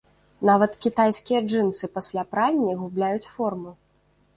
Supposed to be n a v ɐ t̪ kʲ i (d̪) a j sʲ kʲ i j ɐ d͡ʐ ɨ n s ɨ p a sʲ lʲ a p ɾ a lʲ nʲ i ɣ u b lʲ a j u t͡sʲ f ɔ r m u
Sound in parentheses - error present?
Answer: yes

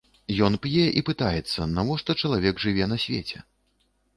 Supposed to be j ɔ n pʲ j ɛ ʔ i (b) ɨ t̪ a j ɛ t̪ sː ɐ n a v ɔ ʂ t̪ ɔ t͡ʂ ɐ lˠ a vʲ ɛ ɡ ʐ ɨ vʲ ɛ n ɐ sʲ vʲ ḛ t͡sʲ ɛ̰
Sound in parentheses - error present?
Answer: yes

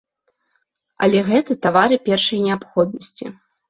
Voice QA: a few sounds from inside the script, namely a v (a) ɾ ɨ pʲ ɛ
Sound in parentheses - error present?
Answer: no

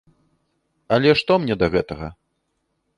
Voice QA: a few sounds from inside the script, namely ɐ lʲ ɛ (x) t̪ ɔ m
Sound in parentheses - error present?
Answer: yes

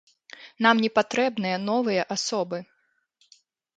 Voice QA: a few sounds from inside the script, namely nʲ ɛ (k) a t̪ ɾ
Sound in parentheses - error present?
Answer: yes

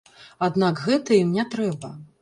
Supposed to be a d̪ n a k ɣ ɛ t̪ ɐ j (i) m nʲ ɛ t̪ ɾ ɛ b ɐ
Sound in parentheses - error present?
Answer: no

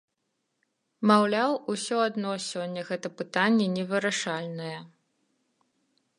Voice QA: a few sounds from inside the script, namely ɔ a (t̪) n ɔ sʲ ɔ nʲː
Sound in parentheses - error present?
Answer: yes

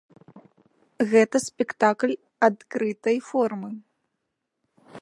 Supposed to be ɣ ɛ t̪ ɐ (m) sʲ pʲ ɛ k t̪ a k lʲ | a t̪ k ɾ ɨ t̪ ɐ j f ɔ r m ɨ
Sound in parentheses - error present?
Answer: yes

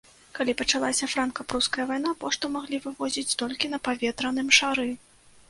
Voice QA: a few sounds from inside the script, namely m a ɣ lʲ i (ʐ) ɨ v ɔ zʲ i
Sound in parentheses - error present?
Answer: yes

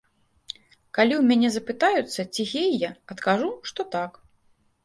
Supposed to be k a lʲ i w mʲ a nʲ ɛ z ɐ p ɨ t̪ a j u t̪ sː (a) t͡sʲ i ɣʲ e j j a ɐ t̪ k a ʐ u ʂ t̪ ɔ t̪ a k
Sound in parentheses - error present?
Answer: yes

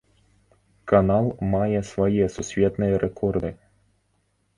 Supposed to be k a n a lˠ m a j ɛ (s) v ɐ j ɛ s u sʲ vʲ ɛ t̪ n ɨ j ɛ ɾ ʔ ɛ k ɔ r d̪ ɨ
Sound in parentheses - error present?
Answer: no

